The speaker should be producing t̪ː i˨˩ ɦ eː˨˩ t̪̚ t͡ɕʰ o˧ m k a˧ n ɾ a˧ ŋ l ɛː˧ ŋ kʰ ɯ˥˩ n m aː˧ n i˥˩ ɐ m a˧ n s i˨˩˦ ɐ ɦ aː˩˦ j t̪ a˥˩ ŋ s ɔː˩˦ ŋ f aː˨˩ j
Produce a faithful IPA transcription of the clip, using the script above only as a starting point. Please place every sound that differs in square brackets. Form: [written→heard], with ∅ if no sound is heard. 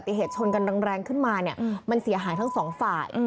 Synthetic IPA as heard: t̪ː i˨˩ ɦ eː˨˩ t̪̚ t͡ɕʰ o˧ [m→n] k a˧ n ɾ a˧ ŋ [l→ɾ] ɛː˧ ŋ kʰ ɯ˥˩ n m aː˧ n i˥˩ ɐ m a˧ n s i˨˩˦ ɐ ɦ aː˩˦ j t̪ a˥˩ ŋ s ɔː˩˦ ŋ f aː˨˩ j